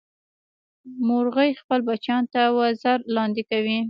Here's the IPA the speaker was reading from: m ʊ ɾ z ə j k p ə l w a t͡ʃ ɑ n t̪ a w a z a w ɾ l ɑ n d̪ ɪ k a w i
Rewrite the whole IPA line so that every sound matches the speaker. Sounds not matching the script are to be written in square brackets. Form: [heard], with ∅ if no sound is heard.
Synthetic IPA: m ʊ ɾ [ɣ] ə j [x] p ə l [b] a t͡ʃ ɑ n t̪ a w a z a [∅] ɾ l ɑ n d̪ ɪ k a w i